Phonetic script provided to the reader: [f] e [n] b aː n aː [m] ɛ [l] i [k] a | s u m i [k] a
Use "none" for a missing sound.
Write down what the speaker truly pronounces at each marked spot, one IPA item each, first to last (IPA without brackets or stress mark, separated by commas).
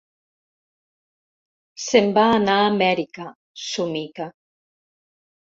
s, m, m, ɾ, k, k